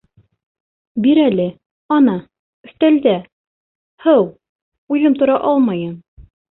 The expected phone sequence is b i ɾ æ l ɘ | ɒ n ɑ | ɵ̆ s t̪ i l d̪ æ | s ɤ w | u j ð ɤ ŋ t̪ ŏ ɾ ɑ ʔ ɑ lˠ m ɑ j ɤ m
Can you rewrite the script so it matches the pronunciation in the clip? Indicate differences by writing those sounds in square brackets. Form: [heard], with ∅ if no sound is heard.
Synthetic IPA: b i ɾ æ l ɘ | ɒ n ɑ | ɵ̆ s t̪ [æ] l d̪ æ | [h] ɤ w | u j ð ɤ [m] t̪ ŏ ɾ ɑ ʔ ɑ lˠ m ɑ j ɤ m